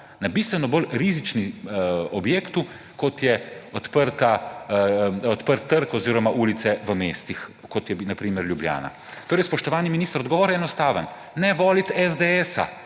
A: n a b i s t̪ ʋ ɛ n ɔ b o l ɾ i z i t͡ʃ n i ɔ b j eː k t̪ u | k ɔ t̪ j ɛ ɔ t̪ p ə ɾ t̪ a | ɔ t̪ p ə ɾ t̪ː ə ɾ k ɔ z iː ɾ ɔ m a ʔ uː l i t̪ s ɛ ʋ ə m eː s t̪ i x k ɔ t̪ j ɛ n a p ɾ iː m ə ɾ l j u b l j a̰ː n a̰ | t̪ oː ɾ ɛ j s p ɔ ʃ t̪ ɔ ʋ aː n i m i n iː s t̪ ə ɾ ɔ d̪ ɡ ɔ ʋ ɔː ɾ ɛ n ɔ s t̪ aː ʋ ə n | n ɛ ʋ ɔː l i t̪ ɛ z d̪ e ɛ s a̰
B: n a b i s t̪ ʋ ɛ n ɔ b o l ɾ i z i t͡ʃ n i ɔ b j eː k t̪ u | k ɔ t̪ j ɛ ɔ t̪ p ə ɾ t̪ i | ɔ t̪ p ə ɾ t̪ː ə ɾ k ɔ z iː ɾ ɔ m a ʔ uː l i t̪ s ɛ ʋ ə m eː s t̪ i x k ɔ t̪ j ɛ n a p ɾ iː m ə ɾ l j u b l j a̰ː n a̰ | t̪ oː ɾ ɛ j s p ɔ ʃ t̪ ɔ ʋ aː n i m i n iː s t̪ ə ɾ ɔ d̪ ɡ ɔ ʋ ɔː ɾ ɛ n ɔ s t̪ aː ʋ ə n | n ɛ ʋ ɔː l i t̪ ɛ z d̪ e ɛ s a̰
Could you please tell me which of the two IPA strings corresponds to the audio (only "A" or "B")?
A